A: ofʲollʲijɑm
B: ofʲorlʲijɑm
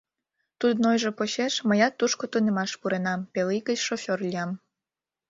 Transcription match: B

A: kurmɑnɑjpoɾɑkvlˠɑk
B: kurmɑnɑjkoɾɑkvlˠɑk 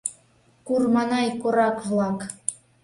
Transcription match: B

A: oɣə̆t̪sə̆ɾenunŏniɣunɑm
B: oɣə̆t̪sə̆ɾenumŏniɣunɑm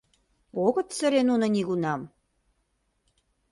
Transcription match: A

